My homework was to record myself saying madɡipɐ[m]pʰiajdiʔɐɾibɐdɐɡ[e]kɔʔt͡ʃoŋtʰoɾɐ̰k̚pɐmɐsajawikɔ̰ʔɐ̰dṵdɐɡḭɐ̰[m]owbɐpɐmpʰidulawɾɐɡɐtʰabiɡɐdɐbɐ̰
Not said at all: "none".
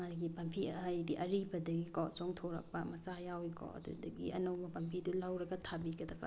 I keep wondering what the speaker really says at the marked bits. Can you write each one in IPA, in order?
m, i, n

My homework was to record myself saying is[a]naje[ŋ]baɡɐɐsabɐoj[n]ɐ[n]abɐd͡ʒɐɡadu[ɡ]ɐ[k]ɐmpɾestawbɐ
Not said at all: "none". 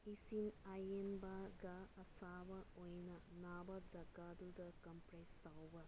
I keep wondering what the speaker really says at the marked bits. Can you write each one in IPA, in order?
i, n, n, n, d, k

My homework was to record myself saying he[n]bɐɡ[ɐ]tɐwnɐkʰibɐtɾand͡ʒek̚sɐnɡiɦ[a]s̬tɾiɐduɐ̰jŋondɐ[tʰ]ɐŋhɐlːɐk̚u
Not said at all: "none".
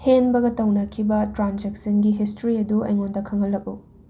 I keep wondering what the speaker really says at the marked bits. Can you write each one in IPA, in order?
n, ɐ, i, kʰ

